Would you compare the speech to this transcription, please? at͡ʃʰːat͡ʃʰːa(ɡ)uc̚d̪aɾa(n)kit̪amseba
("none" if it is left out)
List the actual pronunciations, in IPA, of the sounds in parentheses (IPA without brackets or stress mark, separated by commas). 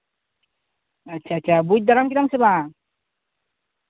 b, m